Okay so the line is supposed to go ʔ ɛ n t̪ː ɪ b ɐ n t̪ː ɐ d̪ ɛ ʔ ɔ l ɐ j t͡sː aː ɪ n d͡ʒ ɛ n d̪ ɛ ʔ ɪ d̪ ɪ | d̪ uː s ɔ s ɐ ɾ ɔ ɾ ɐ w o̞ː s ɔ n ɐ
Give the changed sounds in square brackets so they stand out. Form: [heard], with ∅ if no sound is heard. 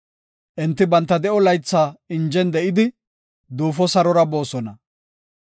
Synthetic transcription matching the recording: ʔ ɛ n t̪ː ɪ b ɐ n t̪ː ɐ d̪ ɛ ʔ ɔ l ɐ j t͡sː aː ɪ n d͡ʒ ɛ n d̪ ɛ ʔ ɪ d̪ ɪ | d̪ uː [f] ɔ s ɐ ɾ ɔ ɾ ɐ [b] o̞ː s ɔ n ɐ